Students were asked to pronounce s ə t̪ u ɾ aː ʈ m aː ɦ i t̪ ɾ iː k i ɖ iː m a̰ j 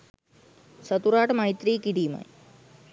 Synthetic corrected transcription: s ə t̪ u ɾ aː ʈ m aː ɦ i t̪ ɾ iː k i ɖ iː m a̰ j